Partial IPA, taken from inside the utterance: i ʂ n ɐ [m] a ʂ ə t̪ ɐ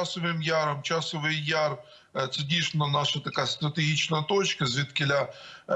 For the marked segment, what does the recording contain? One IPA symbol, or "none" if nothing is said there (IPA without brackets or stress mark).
n